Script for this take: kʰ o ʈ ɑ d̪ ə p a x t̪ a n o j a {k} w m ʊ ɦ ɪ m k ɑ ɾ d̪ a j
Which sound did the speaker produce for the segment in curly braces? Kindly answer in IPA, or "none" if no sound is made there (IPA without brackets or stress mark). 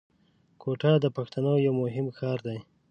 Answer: none